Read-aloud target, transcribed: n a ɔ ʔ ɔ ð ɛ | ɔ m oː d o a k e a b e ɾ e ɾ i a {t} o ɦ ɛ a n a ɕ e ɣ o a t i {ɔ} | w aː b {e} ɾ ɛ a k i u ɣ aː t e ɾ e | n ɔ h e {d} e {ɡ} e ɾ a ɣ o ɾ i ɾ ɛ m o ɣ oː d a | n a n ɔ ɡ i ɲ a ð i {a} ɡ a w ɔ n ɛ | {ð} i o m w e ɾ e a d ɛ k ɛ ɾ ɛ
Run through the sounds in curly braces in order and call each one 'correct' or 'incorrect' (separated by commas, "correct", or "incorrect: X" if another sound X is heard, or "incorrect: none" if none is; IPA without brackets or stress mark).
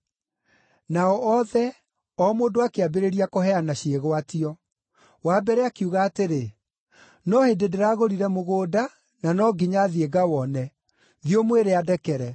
incorrect: k, correct, incorrect: ɛ, correct, incorrect: d, incorrect: e, correct